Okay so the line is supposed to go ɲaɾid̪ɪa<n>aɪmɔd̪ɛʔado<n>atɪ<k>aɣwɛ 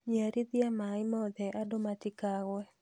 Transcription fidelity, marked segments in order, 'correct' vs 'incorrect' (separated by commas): incorrect, incorrect, correct